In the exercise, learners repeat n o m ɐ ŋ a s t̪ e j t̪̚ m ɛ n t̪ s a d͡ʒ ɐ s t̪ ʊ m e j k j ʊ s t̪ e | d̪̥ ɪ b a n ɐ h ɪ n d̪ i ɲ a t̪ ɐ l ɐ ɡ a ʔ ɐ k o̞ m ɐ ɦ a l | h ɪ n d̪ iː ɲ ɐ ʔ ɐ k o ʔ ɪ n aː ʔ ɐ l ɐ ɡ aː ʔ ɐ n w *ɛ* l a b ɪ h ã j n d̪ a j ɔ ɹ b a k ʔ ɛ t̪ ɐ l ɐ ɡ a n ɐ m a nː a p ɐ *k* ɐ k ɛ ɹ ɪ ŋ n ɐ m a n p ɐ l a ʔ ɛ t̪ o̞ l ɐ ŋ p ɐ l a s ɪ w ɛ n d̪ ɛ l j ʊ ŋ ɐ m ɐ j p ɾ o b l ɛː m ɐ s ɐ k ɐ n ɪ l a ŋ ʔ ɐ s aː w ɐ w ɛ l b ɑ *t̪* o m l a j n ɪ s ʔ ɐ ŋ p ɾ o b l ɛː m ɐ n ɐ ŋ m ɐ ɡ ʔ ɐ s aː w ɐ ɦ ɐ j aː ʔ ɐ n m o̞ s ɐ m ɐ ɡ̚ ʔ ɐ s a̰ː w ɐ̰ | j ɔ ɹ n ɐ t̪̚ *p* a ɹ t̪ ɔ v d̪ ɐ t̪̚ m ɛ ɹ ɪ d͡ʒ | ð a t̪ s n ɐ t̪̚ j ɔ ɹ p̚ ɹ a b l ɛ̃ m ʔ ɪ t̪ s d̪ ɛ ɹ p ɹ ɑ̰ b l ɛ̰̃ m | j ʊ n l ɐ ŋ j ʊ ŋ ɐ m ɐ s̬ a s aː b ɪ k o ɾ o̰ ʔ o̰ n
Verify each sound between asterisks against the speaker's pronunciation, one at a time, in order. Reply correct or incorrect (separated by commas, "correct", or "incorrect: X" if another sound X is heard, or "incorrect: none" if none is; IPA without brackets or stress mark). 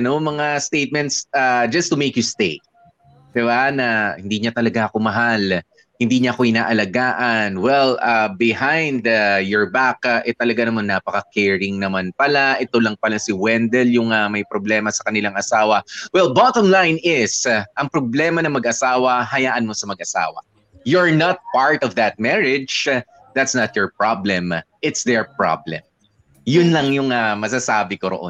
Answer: correct, correct, correct, correct